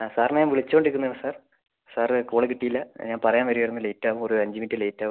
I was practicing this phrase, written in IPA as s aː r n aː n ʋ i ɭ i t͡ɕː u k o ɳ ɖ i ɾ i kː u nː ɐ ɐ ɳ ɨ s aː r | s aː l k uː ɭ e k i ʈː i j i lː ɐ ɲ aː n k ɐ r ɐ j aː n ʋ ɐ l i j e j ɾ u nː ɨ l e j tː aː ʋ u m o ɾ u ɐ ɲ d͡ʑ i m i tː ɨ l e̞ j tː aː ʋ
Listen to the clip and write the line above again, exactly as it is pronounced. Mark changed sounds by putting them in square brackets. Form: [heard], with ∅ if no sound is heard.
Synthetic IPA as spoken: s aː r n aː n ʋ i ɭ i t͡ɕː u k o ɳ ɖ i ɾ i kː u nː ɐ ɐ ɳ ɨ s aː r | s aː [r] k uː ɭ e k i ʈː i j i lː ɐ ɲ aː n [p] ɐ r ɐ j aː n ʋ ɐ [ɾ] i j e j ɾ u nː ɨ l e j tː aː ʋ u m o ɾ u ɐ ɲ d͡ʑ i m i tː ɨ l e̞ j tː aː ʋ